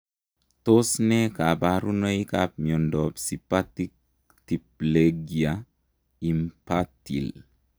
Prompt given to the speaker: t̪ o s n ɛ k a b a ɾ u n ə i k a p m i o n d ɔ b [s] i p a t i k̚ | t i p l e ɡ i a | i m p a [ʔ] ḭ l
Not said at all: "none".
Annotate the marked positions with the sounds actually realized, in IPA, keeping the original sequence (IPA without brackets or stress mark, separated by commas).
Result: s, t